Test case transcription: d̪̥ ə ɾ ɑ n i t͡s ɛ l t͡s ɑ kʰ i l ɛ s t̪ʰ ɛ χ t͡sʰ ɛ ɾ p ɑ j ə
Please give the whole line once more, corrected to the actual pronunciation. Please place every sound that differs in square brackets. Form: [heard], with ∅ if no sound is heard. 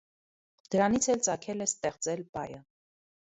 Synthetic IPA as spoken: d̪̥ ə ɾ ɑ n i [t͡sʰ] ɛ l t͡s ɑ kʰ [ɛ] l ɛ s [t̪] ɛ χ [t͡s] ɛ [l] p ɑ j ə

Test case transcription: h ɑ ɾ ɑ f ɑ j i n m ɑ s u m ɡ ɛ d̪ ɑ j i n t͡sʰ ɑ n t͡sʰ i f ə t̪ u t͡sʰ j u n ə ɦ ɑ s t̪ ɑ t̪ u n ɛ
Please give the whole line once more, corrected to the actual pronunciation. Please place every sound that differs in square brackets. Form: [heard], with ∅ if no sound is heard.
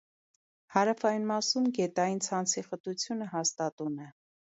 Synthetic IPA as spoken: h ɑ ɾ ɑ f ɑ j i n m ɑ s u m ɡ ɛ [t̪] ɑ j i n t͡sʰ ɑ n t͡sʰ i [χ] ə t̪ u t͡sʰ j u n ə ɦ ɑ s t̪ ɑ t̪ u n ɛ

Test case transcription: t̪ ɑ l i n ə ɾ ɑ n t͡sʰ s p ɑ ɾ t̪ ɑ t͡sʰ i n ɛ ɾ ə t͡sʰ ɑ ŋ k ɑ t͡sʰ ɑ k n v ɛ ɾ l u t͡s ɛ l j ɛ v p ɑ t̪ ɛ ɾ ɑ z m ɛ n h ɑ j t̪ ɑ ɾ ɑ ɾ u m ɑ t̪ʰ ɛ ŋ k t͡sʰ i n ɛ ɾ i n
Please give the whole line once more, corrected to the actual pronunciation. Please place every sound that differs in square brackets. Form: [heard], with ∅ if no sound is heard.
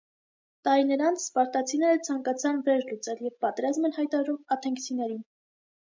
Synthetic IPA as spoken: t̪ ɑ [ɾ] i n ə ɾ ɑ n t͡sʰ s p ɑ ɾ t̪ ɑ t͡sʰ i n ɛ ɾ ə t͡sʰ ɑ ŋ k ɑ t͡sʰ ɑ [∅] n v ɛ ɾ l u t͡s ɛ l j ɛ v p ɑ t̪ ɛ ɾ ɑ z m ɛ n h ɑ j t̪ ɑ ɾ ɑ ɾ u m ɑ t̪ʰ ɛ ŋ k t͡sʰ i n ɛ ɾ i n

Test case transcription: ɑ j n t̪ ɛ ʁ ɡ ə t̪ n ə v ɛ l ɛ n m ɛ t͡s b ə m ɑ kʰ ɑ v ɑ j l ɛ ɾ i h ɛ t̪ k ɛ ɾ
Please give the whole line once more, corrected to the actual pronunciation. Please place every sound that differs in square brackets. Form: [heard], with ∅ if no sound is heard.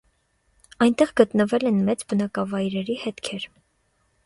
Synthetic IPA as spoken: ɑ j n t̪ ɛ ʁ ɡ ə t̪ n ə v ɛ l ɛ n m ɛ t͡s b ə [n] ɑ [k] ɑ v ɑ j [ɾ] ɛ ɾ i h ɛ t̪ [kʰ] ɛ ɾ

